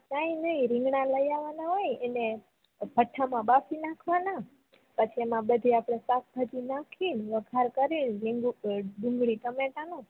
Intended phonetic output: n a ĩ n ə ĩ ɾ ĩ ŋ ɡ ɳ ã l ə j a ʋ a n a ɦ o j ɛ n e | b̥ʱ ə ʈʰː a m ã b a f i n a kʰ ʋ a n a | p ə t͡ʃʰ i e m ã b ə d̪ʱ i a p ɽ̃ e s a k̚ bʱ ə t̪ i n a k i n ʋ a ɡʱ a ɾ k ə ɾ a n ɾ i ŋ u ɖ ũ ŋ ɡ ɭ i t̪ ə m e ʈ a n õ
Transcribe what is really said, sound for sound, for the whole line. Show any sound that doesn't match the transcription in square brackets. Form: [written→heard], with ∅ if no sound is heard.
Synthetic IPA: n a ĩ n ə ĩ ɾ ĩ ŋ ɡ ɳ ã l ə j a ʋ a n a ɦ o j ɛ n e | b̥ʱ ə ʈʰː a m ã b a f i n a kʰ ʋ a n a | p ə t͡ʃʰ i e m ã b ə d̪ʱ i a p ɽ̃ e s a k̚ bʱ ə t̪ i n a [k→kʰ] i n ʋ [a→ə] ɡʱ a ɾ k ə ɾ [a→i] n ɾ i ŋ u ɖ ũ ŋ ɡ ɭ i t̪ ə m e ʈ a n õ